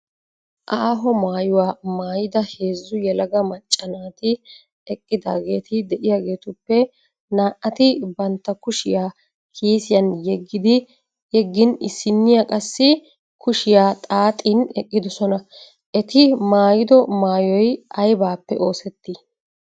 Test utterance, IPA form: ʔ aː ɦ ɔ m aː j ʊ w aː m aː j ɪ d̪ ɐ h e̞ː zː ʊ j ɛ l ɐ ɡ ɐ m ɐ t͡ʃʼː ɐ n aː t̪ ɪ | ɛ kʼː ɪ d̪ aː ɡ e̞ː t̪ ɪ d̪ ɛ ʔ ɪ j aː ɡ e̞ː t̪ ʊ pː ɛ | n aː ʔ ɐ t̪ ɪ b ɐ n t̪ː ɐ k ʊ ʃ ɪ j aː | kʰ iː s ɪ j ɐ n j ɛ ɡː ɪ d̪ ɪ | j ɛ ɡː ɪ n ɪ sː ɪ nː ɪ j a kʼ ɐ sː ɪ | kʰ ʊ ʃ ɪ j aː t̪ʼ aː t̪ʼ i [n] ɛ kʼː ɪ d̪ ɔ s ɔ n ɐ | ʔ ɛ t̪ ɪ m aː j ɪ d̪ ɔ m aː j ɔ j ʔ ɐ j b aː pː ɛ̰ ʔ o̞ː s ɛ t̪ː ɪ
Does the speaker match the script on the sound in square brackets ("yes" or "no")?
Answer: yes